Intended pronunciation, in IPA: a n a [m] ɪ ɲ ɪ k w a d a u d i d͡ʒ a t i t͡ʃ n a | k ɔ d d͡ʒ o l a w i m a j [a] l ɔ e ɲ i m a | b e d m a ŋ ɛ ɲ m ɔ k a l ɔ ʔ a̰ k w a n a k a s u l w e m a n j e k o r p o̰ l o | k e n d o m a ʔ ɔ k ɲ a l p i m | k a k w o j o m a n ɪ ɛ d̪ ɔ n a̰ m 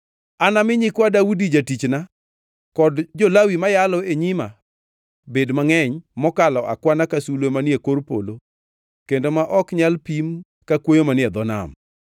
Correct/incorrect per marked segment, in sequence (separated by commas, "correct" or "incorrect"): correct, correct